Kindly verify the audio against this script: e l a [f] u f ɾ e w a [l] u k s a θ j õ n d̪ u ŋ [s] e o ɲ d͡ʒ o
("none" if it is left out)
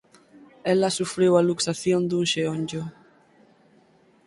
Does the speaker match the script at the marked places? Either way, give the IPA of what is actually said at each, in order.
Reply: s, l, ʃ

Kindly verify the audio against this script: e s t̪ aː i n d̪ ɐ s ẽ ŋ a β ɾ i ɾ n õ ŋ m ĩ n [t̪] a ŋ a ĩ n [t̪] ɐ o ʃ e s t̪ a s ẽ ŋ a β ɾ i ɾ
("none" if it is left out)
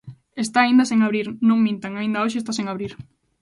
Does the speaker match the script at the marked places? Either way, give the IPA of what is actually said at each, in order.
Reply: t̪, d̪

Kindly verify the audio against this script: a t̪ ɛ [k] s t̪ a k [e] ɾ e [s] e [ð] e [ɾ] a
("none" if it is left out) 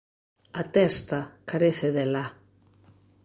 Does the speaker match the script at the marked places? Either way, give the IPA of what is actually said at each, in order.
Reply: none, a, θ, ð, l

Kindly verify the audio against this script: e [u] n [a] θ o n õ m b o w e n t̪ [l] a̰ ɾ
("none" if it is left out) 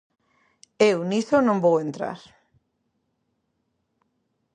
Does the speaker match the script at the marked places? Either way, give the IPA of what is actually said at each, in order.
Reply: w, i, ɾ

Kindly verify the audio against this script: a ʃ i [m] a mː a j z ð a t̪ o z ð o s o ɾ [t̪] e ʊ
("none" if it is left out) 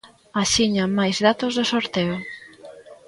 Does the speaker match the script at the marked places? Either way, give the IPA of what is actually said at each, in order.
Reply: ɲ, t̪

